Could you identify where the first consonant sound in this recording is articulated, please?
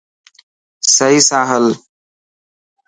alveolar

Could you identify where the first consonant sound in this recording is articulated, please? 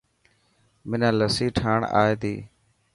labial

